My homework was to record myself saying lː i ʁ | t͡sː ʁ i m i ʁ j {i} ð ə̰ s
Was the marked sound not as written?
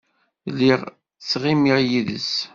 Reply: no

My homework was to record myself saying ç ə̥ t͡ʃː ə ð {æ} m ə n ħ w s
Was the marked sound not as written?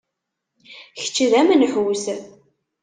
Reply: no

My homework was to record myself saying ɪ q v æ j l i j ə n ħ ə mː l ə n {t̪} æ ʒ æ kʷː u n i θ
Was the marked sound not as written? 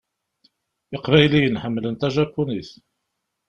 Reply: no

